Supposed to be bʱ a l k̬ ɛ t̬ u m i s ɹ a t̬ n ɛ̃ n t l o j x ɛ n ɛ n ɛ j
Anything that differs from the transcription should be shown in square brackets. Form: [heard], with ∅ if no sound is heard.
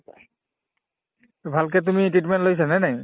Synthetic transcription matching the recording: bʱ a l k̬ ɛ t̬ u m i [t] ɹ [i] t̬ [m] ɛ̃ n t l o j [s] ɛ n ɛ n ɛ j